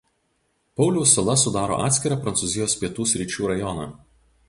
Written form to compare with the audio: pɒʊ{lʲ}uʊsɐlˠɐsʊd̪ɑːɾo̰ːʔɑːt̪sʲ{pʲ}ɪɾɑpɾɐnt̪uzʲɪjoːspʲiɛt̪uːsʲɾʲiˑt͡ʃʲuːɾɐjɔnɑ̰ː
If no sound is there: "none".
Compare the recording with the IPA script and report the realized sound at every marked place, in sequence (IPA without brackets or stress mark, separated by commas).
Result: lʲ, kʲ